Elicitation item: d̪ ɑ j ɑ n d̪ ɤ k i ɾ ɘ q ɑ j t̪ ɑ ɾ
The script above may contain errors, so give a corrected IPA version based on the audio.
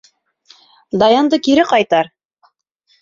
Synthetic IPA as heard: d̪ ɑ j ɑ n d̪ ɤ k i ɾ ɘ q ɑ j t̪ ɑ ɾ